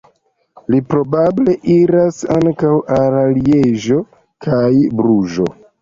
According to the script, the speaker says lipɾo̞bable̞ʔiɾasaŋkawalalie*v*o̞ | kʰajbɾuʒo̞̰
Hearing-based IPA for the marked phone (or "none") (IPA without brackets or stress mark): ʒ